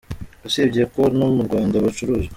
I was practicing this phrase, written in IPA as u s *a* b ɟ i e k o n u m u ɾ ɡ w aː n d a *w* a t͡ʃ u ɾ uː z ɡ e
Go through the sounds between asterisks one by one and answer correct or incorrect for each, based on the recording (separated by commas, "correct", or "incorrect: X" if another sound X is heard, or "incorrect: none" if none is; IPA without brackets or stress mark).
incorrect: e, incorrect: β